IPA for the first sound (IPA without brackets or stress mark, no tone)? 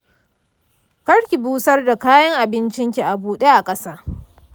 k